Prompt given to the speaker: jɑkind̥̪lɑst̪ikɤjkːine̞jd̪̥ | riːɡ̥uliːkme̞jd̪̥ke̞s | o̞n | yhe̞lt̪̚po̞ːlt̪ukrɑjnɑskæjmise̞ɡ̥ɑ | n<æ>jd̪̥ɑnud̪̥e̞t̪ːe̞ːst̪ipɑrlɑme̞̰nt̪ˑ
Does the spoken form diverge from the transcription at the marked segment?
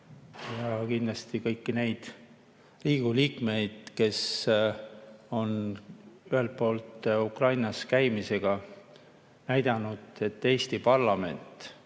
no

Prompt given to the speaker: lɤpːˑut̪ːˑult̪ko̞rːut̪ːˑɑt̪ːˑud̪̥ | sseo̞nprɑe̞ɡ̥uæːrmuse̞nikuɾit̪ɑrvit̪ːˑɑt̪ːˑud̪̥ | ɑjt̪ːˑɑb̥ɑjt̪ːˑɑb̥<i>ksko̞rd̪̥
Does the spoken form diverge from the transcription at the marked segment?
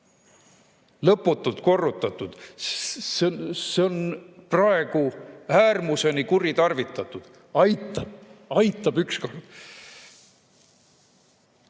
yes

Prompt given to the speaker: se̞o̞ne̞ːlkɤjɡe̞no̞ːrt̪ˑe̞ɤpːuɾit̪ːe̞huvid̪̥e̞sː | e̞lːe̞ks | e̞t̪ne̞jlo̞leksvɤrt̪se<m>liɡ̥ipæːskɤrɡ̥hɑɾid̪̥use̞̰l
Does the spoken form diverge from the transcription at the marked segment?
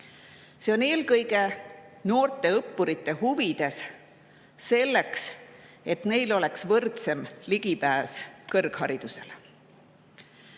no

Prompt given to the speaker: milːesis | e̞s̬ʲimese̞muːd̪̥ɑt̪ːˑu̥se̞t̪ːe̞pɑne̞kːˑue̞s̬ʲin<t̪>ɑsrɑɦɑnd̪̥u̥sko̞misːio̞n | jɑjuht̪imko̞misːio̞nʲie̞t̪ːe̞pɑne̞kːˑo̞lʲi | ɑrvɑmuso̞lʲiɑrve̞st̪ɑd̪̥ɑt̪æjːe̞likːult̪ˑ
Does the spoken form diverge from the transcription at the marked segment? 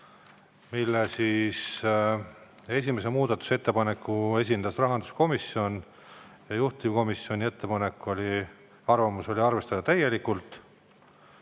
yes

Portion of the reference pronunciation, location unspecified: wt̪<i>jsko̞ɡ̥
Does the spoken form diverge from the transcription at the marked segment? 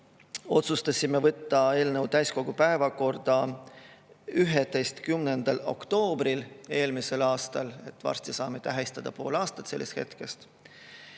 yes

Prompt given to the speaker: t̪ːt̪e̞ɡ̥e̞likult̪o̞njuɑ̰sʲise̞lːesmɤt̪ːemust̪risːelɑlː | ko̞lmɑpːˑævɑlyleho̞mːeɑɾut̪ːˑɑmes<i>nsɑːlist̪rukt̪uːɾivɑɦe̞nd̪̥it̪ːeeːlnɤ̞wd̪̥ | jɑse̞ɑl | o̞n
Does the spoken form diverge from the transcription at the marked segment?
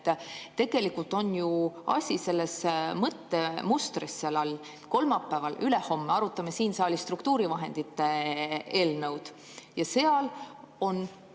yes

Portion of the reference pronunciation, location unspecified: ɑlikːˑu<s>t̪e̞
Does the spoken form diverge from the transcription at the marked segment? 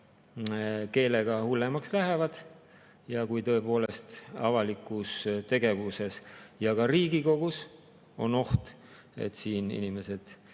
no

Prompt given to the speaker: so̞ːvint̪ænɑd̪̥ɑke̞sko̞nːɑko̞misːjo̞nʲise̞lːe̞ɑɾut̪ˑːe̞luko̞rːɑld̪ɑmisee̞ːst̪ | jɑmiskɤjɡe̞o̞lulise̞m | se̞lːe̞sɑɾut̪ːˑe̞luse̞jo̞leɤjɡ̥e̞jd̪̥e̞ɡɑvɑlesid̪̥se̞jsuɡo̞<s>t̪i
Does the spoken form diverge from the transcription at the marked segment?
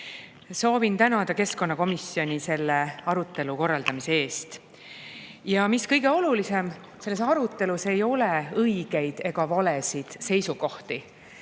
yes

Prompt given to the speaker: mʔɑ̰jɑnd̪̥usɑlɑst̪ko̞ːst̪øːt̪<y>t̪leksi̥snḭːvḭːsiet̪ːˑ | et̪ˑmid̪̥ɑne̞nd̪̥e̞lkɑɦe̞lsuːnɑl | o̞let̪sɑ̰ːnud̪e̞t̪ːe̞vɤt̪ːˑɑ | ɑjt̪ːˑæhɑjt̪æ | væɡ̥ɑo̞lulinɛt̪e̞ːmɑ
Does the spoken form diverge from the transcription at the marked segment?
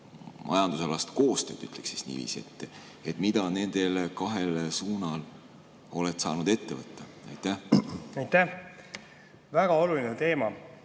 no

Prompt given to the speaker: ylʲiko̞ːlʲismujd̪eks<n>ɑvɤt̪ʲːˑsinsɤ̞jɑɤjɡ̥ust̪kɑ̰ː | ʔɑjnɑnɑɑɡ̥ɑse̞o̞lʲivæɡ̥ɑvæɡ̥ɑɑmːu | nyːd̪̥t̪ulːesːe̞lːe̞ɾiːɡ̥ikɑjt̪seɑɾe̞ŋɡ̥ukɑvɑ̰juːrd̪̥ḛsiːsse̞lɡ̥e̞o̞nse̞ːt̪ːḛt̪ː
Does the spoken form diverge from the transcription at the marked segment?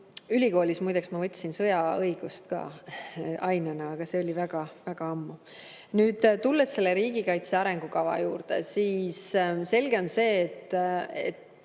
yes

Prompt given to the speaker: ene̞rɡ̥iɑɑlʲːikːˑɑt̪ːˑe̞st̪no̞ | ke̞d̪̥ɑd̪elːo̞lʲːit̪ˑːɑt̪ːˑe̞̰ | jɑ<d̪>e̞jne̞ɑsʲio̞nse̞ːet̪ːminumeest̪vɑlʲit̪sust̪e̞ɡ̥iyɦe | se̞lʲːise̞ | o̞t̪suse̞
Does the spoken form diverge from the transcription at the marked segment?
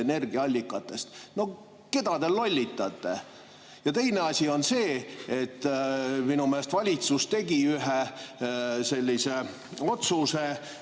yes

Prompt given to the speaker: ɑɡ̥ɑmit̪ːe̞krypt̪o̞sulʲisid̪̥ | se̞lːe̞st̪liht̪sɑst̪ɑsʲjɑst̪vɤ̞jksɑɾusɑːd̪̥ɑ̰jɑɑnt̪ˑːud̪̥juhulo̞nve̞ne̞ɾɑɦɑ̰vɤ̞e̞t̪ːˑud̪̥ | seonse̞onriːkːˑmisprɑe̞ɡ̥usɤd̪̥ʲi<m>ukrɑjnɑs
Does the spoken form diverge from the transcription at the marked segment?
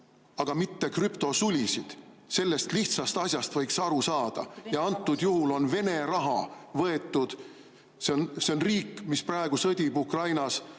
yes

